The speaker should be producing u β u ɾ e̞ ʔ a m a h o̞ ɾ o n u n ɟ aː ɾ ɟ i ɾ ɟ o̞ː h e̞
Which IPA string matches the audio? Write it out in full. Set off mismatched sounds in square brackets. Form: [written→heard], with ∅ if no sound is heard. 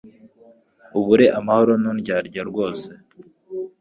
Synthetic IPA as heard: u β u ɾ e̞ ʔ a m a h o̞ ɾ o n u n ɟ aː ɾ ɟ [i→a] ɾ [ɟ→ɡ] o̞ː [h→s] e̞